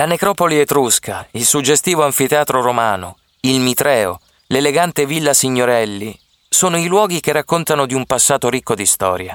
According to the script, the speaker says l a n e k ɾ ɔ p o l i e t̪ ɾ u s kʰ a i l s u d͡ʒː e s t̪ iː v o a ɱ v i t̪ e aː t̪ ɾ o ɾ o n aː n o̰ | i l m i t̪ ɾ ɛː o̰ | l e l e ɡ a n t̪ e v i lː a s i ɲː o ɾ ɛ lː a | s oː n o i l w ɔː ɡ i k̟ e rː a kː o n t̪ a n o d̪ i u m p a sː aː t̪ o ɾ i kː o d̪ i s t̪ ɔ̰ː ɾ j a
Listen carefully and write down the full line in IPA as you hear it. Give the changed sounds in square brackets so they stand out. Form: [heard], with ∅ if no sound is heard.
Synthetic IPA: l a n e k ɾ ɔ p o l i e t̪ ɾ u s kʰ a i l s u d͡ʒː e s t̪ iː v o a ɱ [f] i t̪ e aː t̪ ɾ o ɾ o [m] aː n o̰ | i l m i t̪ ɾ ɛː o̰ | l e l e ɡ a n t̪ e v i lː a s i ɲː o ɾ ɛ lː [i] | s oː n o i l w ɔː ɡ i k̟ e rː a kː o n t̪ a n o d̪ i u m p a sː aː t̪ o ɾ i kː o d̪ i s t̪ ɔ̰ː ɾ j a